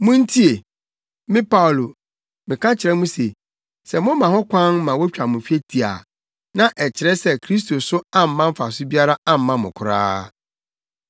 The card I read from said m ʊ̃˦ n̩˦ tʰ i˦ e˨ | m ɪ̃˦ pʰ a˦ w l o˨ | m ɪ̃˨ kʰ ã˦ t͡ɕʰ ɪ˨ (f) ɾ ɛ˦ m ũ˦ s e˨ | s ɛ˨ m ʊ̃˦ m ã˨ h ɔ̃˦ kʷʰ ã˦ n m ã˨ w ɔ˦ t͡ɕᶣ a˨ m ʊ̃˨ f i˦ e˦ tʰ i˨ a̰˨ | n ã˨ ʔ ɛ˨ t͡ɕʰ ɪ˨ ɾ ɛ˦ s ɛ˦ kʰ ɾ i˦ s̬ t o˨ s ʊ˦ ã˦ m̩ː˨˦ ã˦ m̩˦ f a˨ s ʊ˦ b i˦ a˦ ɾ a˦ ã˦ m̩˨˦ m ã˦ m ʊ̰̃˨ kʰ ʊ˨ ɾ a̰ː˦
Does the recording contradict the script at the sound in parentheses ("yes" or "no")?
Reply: yes